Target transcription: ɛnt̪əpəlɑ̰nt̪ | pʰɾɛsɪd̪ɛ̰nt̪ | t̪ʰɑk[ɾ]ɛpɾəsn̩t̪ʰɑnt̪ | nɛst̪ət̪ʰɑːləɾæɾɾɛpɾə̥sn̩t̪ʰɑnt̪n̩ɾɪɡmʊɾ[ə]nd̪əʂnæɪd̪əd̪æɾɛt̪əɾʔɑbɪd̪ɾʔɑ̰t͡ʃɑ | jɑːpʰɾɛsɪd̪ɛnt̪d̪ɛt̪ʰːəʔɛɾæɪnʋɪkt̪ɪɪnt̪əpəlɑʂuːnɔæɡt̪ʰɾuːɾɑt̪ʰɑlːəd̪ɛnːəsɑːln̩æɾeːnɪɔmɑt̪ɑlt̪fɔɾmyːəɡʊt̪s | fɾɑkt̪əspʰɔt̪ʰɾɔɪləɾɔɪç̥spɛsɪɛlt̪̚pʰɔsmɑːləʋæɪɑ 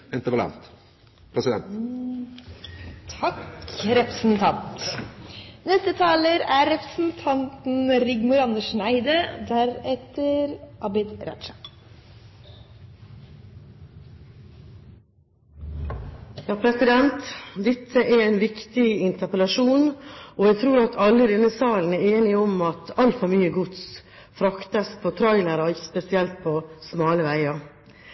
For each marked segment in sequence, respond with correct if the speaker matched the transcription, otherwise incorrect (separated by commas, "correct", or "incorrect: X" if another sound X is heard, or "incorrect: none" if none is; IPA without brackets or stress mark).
correct, incorrect: ɑ